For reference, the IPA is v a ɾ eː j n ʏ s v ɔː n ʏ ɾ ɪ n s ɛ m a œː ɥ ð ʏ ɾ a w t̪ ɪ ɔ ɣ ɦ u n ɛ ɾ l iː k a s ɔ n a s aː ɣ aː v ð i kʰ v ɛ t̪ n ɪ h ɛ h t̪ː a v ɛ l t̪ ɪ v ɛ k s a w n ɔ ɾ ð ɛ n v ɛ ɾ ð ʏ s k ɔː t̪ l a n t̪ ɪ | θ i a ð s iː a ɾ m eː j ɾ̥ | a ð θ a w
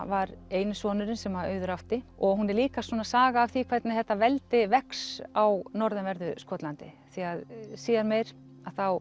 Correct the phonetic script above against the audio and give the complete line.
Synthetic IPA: v a ɾ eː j n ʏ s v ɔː n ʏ ɾ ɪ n s ɛ m a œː ɥ ð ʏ ɾ a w t̪ ɪ ɔ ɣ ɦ u n ɛ ɾ l iː k a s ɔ n a s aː ɣ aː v θ i kʰ v ɛ t̪ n ɪ θ ɛ h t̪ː a v ɛ l t̪ ɪ v ɛ k s a w n ɔ ɾ ð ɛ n v ɛ ɾ ð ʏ s k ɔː t̪ l a n t̪ ɪ | θ i a ð s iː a ɾ m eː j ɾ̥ | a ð θ a w